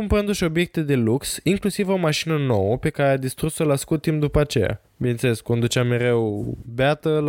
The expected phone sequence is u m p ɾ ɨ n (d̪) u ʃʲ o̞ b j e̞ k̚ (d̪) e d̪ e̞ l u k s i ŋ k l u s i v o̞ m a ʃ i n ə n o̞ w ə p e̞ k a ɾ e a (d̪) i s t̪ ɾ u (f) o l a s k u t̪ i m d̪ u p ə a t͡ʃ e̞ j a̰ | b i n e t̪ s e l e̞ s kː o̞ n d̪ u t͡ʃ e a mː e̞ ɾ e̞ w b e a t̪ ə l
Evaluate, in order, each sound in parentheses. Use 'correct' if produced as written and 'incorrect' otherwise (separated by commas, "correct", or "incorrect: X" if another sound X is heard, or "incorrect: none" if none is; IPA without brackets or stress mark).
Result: correct, incorrect: t̪, correct, incorrect: s